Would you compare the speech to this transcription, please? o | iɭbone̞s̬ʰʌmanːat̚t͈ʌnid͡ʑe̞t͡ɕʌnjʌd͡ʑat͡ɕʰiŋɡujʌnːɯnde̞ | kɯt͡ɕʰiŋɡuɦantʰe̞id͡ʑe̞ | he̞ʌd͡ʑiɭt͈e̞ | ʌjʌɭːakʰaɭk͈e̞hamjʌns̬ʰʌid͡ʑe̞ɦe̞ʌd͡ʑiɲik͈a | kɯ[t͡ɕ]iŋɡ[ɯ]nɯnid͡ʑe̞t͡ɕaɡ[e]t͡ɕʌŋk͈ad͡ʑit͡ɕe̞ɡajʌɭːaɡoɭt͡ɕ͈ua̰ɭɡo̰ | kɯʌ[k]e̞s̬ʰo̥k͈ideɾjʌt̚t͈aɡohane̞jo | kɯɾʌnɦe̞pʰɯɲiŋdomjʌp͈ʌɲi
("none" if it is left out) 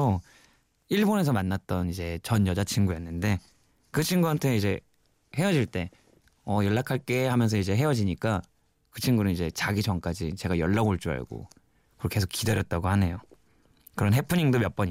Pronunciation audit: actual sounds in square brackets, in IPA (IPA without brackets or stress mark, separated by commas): t͡ɕʰ, u, i, k